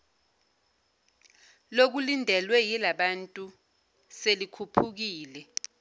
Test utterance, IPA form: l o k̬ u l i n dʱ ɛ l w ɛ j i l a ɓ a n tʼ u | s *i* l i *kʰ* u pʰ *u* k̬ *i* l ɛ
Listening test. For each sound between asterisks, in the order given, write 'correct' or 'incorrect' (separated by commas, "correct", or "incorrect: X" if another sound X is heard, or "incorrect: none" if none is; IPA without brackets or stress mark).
incorrect: e, correct, correct, incorrect: iː